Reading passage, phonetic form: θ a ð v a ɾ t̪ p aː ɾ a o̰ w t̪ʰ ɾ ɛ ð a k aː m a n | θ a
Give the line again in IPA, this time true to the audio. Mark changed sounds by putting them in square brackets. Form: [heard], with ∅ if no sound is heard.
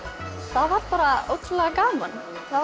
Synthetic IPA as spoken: θ a ð v a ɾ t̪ p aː ɾ a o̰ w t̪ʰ [l] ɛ [ɣ] a k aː m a n | θ a